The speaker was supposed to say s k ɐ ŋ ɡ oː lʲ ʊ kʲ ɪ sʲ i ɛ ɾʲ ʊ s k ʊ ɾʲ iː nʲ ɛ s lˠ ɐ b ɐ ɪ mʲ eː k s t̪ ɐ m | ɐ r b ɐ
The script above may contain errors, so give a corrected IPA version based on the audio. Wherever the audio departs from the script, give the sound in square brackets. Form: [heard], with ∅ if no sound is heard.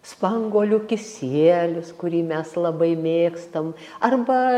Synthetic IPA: s [p] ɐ ŋ ɡ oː lʲ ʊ kʲ ɪ sʲ i ɛ [lʲ] ʊ s k ʊ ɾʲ iː [mʲ] ɛ s lˠ ɐ b ɐ ɪ mʲ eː k s t̪ ɐ m | ɐ r b ɐ